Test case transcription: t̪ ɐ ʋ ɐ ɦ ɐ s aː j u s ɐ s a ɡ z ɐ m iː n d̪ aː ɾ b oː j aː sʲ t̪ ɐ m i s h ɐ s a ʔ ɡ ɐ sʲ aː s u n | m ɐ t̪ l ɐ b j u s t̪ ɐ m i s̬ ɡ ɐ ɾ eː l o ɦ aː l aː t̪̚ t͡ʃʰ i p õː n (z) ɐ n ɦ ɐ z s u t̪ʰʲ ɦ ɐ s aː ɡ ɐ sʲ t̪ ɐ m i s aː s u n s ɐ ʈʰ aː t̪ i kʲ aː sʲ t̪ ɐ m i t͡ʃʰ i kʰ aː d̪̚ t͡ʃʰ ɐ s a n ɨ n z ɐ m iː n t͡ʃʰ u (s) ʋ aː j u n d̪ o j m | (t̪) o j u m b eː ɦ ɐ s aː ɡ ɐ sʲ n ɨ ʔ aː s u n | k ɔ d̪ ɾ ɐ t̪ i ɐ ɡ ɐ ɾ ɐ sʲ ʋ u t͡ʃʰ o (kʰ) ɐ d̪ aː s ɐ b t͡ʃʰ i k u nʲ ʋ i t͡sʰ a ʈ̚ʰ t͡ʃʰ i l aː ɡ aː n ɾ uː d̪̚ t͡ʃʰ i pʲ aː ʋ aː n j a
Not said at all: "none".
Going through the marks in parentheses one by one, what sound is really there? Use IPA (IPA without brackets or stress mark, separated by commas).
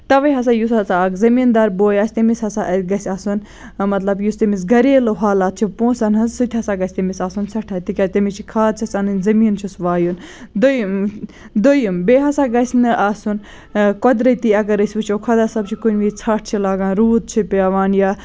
s, s, d̪, kʰ